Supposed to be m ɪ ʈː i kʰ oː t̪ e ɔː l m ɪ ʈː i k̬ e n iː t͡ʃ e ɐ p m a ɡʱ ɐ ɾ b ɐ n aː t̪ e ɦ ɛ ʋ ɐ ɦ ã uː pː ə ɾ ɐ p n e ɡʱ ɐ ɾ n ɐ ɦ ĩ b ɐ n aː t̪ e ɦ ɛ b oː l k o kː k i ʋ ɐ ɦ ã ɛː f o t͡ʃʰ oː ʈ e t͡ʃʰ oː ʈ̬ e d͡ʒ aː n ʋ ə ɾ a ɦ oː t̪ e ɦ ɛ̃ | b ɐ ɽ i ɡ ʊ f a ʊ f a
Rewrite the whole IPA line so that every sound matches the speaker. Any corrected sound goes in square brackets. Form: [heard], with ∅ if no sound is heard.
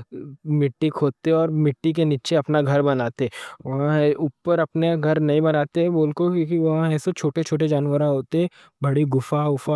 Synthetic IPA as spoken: m ɪ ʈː i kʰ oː t̪ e ɔː [ɾ] m ɪ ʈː i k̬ e n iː t͡ʃ e ɐ p [n] a ɡʱ ɐ ɾ b ɐ n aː t̪ e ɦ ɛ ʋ ɐ ɦ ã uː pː ə ɾ ɐ p n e ɡʱ ɐ ɾ n ɐ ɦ ĩ b ɐ n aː t̪ e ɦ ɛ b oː l k o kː k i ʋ ɐ ɦ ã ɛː [s] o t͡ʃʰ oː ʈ e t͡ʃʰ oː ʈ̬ e d͡ʒ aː n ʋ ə ɾ a ɦ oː t̪ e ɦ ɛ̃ | b ɐ ɽ i ɡ ʊ f a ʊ f a

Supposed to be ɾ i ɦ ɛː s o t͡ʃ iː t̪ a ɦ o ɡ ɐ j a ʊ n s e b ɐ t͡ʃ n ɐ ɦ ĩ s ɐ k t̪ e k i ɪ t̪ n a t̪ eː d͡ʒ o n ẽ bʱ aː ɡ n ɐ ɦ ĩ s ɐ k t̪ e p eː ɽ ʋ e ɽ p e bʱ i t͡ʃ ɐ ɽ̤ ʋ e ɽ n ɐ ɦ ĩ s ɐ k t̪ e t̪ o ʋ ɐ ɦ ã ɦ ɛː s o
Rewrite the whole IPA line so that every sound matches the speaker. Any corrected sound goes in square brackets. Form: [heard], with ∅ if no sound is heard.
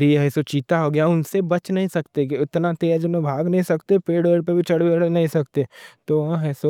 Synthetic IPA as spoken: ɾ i ɦ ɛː s o t͡ʃ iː t̪ a ɦ o ɡ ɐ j a ʊ n s e b ɐ t͡ʃ n ɐ ɦ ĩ s ɐ k t̪ e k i ɪ t̪ n a t̪ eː d͡ʒ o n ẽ bʱ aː ɡ n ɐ ɦ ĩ s ɐ k t̪ e p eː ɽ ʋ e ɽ p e bʱ i t͡ʃ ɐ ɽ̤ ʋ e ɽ n ɐ ɦ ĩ s ɐ k t̪ e t̪ o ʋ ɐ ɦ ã ɦ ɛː s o

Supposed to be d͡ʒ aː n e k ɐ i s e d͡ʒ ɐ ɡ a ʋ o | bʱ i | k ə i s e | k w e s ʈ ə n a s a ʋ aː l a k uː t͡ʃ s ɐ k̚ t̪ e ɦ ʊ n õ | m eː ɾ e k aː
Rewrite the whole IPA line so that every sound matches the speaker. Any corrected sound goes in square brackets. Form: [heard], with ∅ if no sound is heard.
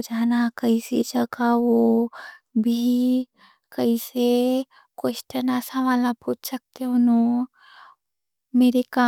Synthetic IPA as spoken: d͡ʒ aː n [a] k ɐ i s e d͡ʒ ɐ ɡ a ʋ o | bʱ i | k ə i s e | k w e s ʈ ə n a s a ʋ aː l a [p] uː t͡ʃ s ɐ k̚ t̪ e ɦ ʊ n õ | m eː ɾ e k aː

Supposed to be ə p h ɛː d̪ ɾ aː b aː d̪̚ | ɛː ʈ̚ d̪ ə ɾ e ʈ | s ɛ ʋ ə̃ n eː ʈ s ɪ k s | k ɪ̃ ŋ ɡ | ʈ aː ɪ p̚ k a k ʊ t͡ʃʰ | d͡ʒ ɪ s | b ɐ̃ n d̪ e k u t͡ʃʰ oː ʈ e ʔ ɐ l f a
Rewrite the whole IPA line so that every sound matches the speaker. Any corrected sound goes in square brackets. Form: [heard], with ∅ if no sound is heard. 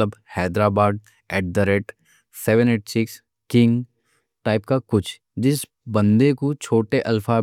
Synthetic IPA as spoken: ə [b] h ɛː d̪ ɾ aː b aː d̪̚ | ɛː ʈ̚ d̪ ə ɾ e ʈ | s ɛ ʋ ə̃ n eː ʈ s ɪ k s | k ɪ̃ ŋ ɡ | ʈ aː ɪ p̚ k a k ʊ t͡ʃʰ | d͡ʒ ɪ s | b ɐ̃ n d̪ e k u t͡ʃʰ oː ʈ e ʔ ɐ l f a

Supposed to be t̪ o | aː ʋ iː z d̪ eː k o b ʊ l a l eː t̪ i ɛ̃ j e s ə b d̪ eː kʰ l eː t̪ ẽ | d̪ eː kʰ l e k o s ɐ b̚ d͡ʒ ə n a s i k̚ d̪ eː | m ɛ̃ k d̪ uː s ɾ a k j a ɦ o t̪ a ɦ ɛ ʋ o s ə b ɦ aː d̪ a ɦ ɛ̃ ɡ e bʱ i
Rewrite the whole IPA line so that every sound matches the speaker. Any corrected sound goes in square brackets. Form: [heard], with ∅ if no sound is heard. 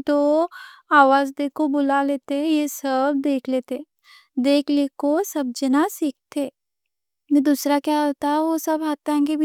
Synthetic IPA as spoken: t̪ o | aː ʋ [aː] z d̪ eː k o b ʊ l a l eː t̪ [e] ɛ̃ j e s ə b d̪ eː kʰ l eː t̪ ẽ | d̪ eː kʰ l e k o s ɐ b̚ d͡ʒ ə n a s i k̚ [t̪] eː | m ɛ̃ [∅] d̪ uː s ɾ a k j a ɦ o t̪ a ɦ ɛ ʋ o s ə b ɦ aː [t̪] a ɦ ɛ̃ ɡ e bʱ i

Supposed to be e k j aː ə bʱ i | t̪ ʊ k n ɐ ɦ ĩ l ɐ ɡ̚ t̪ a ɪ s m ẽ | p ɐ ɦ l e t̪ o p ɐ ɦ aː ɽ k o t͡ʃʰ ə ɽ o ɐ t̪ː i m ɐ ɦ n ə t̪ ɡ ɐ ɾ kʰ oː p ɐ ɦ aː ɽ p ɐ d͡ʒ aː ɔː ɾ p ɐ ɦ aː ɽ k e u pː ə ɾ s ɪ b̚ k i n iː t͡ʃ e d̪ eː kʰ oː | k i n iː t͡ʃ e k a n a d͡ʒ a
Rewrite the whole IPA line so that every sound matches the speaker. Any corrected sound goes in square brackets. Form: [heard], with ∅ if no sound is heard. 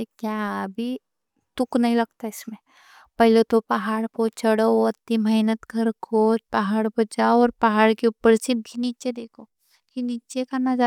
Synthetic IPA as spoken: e k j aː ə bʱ i | t̪ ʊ k n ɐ ɦ ĩ l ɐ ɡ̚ t̪ a ɪ s m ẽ | p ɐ ɦ l e t̪ o p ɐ ɦ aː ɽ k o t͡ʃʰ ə ɽ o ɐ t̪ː i m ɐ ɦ n ə t̪ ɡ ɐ ɾ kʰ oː p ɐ ɦ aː ɽ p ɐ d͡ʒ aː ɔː ɾ p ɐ ɦ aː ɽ k e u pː ə ɾ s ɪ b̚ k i n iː t͡ʃ e d̪ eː kʰ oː | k i n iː t͡ʃ e k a n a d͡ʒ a

